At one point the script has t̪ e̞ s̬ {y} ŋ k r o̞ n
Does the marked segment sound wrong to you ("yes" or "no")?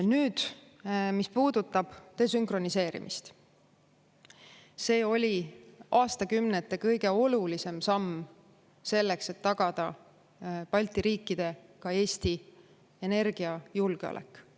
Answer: no